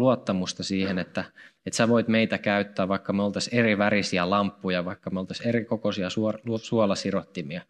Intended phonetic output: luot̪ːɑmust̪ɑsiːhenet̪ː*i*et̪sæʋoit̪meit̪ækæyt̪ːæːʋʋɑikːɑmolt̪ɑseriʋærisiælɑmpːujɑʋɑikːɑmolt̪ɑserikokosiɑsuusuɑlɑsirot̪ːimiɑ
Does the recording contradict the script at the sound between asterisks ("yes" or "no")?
yes